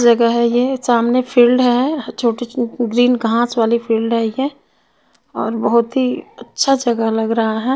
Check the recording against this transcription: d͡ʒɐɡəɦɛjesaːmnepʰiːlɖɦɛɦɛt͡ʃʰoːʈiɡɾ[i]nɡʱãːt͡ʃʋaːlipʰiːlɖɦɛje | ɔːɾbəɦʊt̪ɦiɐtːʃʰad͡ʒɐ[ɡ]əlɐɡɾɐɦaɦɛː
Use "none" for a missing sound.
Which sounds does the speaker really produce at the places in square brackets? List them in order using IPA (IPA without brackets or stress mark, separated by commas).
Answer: iː, ɡ